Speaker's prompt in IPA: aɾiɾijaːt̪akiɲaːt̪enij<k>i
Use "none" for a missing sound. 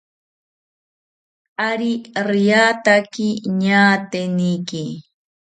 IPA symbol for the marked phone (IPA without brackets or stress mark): k